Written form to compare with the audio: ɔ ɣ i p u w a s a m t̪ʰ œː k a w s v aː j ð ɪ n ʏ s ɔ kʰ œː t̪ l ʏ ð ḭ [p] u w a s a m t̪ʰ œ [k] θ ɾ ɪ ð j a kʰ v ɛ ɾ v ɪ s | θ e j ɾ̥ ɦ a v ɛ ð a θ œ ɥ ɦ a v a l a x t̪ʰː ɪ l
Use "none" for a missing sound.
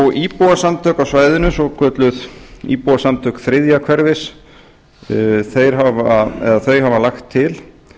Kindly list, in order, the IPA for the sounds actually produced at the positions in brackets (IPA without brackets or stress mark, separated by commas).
p, k